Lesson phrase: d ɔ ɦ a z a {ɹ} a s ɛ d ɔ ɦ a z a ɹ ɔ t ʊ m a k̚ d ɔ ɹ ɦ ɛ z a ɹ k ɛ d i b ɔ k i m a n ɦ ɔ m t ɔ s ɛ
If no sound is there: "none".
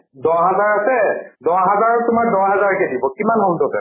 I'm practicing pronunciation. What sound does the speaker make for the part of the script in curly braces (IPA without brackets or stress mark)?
ɹ